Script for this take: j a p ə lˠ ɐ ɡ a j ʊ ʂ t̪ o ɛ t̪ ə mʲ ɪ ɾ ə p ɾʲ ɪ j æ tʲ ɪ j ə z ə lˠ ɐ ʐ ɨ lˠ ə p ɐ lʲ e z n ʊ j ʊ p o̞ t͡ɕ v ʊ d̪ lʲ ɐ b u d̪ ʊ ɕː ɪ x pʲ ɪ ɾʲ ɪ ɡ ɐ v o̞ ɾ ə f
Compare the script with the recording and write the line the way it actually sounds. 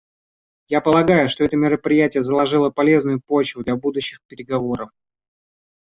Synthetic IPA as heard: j a p ə lˠ ɐ ɡ a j ʊ ʂ t̪ o ɛ t̪ ə mʲ ɪ ɾ ə p ɾʲ ɪ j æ tʲ ɪ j ə z ə lˠ ɐ ʐ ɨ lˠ ə p ɐ lʲ e z n ʊ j ʊ p o̞ t͡ɕ v ʊ d̪ lʲ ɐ b u d̪ ʊ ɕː ɪ x pʲ ɪ ɾʲ ɪ ɡ ɐ v o̞ ɾ ə f